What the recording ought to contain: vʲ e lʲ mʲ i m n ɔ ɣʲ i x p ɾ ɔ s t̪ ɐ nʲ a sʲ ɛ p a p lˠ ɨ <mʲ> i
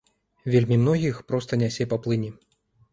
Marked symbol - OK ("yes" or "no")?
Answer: no